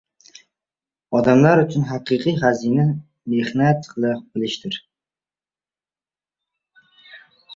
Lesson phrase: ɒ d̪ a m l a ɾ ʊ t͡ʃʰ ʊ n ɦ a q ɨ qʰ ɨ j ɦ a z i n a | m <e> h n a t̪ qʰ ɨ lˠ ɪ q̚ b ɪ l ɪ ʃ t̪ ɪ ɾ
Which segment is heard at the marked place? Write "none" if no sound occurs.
e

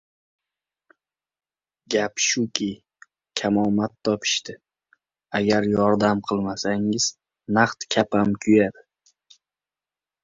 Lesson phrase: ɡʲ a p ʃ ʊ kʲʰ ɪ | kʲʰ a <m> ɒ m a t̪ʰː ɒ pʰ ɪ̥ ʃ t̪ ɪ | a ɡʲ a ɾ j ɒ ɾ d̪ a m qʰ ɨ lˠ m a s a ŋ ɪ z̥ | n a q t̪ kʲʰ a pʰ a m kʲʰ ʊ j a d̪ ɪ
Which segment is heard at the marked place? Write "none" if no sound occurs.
m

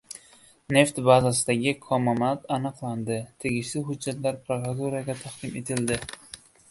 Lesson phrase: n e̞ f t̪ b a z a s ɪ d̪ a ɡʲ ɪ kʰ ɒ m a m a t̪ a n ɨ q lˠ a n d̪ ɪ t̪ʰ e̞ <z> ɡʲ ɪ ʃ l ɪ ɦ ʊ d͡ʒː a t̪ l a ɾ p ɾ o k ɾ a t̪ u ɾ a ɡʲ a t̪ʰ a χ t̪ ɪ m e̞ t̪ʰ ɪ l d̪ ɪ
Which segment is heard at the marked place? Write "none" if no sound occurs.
none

